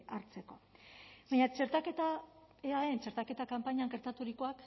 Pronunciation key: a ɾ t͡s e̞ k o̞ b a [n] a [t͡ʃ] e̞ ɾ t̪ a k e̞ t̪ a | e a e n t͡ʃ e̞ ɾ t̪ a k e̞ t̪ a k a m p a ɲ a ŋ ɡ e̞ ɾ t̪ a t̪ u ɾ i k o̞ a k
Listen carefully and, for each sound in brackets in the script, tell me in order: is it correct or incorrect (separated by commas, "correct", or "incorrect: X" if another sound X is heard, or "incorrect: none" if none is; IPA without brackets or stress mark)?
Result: incorrect: ɲ, correct